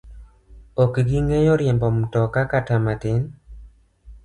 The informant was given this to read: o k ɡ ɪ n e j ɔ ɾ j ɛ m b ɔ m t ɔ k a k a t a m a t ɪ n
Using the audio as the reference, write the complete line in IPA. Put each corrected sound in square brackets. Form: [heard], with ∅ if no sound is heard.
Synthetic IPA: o k ɡ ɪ [ŋ] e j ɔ ɾ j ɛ m b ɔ m t ɔ k a k a t a m a t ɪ n